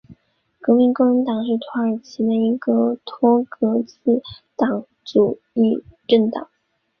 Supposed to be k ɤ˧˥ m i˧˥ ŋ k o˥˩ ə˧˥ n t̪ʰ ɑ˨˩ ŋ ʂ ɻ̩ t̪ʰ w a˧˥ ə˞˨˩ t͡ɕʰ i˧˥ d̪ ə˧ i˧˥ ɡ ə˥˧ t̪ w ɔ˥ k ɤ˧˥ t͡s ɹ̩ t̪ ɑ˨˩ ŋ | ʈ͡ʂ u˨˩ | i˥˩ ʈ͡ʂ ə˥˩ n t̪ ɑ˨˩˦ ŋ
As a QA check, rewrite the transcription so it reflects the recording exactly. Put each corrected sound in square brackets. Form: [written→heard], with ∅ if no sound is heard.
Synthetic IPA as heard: k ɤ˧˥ m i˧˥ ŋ k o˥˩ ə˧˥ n [t̪ʰ→t̪] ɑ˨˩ ŋ ʂ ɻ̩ t̪ʰ w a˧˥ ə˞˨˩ t͡ɕʰ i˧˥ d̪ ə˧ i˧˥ ɡ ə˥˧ [t̪→t̪ʰ] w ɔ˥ k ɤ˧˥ t͡s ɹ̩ t̪ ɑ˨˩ ŋ | ʈ͡ʂ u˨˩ | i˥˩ ʈ͡ʂ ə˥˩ n t̪ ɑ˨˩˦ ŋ